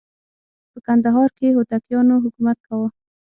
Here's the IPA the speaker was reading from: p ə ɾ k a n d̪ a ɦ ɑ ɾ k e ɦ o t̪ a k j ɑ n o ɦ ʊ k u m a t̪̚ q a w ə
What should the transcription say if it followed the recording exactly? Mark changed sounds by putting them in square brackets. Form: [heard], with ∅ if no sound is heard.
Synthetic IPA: p ə [∅] k a n d̪ a ɦ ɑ ɾ k e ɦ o t̪ a k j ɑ n o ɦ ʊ k u m a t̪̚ [k] a w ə